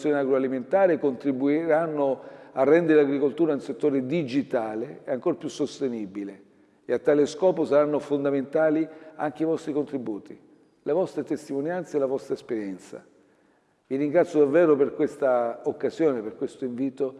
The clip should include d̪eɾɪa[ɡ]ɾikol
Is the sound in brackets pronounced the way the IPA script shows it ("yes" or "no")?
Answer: yes